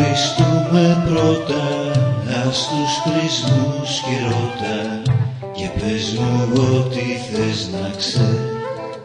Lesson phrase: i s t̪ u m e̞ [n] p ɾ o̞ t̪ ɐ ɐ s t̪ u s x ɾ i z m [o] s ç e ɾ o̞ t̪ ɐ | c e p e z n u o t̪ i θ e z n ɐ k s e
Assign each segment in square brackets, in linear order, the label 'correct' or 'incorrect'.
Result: incorrect: none, incorrect: u

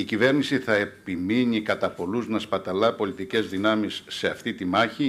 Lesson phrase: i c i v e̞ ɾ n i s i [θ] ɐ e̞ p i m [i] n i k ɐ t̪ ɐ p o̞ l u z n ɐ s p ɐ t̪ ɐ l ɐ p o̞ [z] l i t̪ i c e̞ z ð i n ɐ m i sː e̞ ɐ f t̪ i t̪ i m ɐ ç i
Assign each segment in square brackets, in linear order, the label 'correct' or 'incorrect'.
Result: correct, correct, incorrect: none

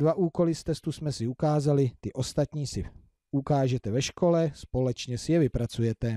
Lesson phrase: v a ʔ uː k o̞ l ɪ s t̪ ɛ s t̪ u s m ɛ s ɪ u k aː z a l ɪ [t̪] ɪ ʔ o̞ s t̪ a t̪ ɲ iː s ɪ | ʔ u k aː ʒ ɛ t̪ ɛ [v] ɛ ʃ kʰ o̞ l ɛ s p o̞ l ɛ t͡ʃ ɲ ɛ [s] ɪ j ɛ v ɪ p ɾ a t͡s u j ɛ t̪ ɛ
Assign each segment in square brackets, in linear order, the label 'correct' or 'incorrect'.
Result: correct, correct, correct

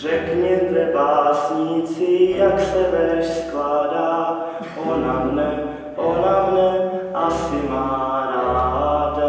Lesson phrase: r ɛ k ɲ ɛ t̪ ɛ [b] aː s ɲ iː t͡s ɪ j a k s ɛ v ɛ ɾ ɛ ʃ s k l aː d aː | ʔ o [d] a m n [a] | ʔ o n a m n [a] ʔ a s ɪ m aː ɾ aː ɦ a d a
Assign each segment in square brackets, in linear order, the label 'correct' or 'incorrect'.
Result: correct, incorrect: n, incorrect: ɛ, incorrect: ɛ

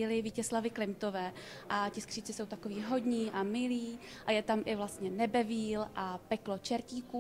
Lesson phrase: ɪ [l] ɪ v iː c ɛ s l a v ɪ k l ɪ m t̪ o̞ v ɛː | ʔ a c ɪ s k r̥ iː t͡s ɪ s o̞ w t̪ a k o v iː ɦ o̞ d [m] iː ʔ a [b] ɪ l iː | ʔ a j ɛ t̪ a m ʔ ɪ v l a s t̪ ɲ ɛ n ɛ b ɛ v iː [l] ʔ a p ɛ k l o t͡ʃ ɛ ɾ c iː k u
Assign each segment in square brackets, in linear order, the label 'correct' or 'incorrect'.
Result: correct, incorrect: ɲ, incorrect: m, correct

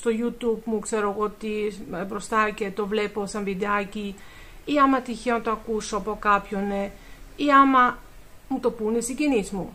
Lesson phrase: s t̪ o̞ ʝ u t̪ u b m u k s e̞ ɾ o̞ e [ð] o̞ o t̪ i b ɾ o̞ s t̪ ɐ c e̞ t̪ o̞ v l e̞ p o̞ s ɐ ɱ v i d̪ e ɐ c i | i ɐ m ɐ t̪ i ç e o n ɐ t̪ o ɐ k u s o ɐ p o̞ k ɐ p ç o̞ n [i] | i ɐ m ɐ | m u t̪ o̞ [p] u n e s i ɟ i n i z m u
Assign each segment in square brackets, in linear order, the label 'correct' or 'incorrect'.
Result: incorrect: ɣ, incorrect: e, correct

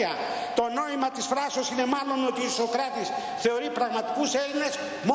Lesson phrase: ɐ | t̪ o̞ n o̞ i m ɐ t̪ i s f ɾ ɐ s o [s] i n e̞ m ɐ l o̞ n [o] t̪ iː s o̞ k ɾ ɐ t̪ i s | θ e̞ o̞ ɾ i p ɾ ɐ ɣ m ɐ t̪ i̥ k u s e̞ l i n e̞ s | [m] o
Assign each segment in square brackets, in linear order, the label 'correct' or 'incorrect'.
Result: correct, correct, correct

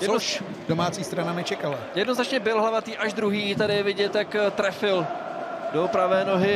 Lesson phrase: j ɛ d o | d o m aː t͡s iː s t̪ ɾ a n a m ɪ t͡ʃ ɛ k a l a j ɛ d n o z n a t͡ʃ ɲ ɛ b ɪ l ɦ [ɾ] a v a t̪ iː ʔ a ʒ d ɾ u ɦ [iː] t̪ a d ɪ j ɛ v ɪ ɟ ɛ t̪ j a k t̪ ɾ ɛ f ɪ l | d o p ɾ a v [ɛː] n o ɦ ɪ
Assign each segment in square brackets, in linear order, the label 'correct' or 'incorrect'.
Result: incorrect: l, correct, correct

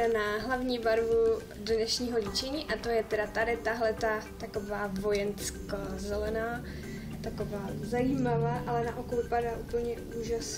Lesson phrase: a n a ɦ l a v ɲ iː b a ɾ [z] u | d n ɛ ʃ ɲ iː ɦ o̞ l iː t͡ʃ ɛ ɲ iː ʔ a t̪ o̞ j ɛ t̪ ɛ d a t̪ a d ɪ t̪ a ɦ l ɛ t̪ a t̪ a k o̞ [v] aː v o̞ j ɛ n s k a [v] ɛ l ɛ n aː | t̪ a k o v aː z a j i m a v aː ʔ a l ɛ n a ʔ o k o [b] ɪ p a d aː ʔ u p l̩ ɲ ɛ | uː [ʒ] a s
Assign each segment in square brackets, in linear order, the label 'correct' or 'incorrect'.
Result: incorrect: v, correct, incorrect: z, incorrect: v, correct

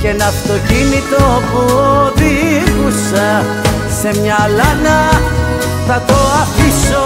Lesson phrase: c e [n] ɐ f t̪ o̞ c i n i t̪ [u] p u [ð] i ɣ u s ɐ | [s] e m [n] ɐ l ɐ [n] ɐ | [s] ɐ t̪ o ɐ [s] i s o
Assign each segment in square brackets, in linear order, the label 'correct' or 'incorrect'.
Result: correct, incorrect: o, correct, correct, incorrect: ɲ, correct, incorrect: θ, incorrect: f

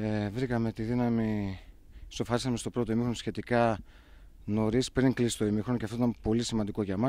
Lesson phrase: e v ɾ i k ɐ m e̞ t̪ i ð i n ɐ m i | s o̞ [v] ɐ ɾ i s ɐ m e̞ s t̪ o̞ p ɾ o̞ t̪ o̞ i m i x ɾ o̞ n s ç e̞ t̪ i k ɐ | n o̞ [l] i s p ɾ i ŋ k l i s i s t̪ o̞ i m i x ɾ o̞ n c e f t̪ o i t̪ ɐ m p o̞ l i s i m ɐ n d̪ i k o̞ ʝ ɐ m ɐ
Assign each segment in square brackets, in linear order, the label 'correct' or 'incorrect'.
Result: incorrect: f, incorrect: ɾ

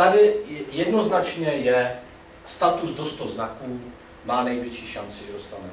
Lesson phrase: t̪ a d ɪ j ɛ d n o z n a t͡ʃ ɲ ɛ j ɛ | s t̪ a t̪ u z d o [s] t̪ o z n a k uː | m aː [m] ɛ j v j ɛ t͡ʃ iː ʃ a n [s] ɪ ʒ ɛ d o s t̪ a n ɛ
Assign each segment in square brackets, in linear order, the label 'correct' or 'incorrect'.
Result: correct, incorrect: n, incorrect: t͡s

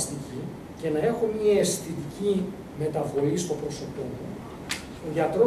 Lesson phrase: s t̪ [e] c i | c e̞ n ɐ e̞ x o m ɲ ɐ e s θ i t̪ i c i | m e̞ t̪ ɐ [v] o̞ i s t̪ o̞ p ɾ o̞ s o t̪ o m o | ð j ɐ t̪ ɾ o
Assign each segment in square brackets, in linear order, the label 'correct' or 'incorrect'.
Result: incorrect: i, correct

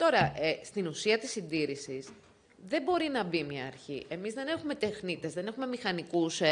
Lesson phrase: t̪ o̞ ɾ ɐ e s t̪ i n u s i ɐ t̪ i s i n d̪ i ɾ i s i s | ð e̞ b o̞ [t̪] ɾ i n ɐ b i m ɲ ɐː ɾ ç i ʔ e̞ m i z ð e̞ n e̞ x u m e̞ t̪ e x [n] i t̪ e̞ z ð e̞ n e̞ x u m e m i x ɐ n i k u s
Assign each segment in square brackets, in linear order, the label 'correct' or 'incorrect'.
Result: incorrect: none, correct

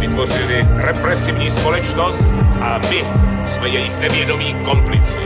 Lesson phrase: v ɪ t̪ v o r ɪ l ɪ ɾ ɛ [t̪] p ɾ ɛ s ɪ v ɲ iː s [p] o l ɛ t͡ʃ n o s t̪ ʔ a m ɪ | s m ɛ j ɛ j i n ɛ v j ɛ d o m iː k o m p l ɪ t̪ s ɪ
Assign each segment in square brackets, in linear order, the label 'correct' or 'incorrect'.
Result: incorrect: none, correct

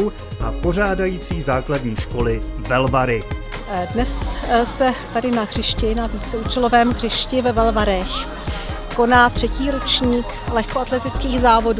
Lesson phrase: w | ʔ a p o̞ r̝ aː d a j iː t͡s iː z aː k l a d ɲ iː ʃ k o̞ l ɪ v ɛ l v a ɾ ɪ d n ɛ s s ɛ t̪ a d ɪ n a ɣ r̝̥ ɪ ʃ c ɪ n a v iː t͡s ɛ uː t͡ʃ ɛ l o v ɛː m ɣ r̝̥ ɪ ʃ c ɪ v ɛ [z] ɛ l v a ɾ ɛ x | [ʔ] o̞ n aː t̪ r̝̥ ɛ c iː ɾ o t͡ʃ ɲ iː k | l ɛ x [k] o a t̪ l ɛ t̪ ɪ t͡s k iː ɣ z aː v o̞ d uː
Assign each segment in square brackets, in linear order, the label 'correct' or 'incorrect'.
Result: incorrect: v, incorrect: k, correct

